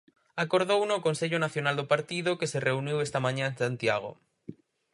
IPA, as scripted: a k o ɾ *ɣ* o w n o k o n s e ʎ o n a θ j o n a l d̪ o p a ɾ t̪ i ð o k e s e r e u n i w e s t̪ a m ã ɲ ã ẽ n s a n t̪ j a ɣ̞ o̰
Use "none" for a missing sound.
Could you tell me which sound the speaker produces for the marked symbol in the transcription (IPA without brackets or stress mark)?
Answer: ð